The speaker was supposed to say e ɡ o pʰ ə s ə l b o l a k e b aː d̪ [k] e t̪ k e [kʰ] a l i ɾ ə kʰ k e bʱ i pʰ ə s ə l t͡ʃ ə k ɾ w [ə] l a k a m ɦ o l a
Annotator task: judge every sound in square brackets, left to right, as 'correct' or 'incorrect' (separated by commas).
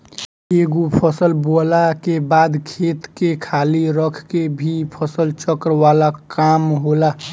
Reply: incorrect, correct, incorrect